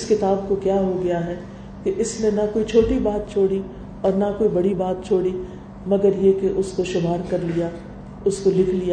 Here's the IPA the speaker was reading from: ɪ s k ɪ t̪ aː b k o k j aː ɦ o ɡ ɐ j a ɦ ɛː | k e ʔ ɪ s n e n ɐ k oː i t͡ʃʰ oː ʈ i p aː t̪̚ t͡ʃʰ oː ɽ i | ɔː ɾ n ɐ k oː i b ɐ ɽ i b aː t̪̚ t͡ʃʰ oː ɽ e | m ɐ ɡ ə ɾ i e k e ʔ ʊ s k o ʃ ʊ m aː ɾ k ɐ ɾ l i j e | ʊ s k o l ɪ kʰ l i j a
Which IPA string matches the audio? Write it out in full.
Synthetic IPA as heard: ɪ s k ɪ t̪ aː b k o k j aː ɦ o ɡ ɐ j a ɦ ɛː | k e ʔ ɪ s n e n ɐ k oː i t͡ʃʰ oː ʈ i b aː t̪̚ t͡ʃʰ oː ɽ i | ɔː ɾ n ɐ k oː i b ɐ ɽ i b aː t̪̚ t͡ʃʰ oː ɽ i | m ɐ ɡ ə ɾ j e k e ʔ ʊ s k o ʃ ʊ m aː ɾ k ɐ ɾ l i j a | ʊ s k o l ɪ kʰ l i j a